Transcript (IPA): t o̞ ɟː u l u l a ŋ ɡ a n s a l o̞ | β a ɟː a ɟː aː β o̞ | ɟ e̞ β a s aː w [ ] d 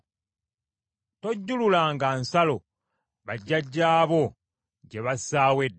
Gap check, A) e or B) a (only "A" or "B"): A